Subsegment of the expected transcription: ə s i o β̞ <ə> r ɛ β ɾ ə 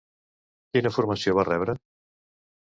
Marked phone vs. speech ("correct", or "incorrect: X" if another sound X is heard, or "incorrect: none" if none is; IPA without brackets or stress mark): incorrect: a